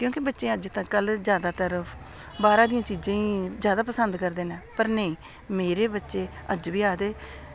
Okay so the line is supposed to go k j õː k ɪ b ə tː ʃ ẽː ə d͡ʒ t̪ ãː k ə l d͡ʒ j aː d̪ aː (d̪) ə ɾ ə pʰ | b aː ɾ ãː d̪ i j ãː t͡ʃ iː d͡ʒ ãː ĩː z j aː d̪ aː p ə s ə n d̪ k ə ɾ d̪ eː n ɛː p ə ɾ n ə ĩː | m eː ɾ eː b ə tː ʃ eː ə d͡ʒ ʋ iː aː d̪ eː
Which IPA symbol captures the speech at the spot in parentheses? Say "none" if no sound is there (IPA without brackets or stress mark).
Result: t̪